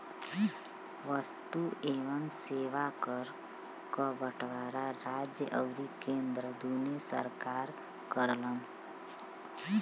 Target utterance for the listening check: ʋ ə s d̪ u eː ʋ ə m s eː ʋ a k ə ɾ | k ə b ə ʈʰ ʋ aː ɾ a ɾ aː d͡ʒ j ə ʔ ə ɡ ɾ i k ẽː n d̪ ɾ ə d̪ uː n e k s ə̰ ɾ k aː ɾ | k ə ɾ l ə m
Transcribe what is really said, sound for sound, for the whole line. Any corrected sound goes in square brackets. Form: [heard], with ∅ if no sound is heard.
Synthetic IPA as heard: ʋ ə s [t̪] u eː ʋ ə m s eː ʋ a k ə ɾ | k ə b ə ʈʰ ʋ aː ɾ a ɾ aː d͡ʒ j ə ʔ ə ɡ ɾ i k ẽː n d̪ ɾ ə d̪ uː n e [∅] s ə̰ ɾ k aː ɾ | k ə ɾ l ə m